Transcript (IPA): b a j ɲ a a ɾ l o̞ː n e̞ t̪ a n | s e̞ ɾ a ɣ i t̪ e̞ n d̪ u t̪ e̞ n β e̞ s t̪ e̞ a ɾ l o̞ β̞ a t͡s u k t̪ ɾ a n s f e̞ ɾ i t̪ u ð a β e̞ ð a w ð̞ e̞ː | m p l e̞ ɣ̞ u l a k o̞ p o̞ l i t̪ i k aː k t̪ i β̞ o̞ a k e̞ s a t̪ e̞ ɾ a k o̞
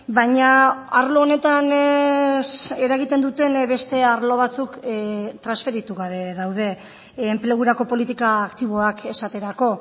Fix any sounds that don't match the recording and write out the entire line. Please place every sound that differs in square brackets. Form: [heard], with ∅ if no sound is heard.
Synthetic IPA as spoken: b a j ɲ a a ɾ l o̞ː n e̞ t̪ a n | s e̞ ɾ a ɣ i t̪ e̞ n d̪ u t̪ e̞ n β e̞ s t̪ e̞ a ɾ l o̞ β̞ a t͡s u k t̪ ɾ a n s f e̞ ɾ i t̪ u [ɣ] a β e̞ ð a w ð̞ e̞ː | m p l e̞ ɣ̞ u [ɾ] a k o̞ p o̞ l i t̪ i k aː k t̪ i β̞ o̞ a k e̞ s a t̪ e̞ ɾ a k o̞